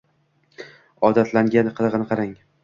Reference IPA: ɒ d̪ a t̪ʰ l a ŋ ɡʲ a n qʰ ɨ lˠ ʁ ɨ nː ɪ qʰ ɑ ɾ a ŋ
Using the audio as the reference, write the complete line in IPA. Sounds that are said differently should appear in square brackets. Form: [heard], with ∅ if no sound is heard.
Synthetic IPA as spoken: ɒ d̪ a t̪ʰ l a ŋ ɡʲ a n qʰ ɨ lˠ ʁ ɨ [n] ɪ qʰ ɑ ɾ a ŋ